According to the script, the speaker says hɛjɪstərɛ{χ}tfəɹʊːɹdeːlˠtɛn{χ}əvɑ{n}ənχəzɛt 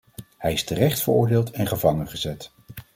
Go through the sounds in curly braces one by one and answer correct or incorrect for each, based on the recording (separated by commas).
correct, correct, incorrect